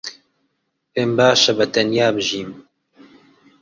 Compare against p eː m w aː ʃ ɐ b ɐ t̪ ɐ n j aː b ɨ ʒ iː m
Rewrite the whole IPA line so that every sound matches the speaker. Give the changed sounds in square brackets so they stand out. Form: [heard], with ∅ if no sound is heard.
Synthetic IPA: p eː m [b] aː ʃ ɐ b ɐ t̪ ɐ n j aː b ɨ ʒ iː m